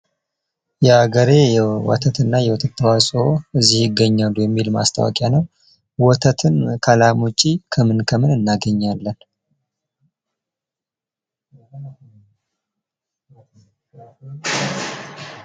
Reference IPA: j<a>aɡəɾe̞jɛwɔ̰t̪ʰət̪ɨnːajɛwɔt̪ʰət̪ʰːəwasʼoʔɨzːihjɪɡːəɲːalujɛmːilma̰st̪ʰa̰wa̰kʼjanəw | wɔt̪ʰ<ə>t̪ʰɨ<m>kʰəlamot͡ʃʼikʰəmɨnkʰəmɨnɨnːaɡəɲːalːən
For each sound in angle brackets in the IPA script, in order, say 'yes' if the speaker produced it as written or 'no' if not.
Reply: no, yes, no

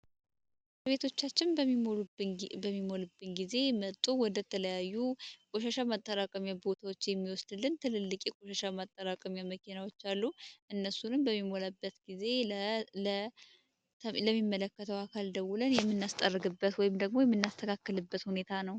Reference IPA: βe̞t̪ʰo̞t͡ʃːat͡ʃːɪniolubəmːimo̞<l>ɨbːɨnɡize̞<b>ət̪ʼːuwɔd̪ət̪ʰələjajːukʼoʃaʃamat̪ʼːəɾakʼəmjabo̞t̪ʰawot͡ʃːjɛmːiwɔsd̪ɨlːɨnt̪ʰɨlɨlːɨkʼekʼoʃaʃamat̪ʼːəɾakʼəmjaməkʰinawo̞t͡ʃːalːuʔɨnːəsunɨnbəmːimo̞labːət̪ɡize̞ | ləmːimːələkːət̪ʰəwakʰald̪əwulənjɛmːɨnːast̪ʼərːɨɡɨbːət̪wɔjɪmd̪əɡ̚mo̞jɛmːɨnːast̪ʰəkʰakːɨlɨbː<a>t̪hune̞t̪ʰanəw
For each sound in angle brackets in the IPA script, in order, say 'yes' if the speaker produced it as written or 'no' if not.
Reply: yes, no, no

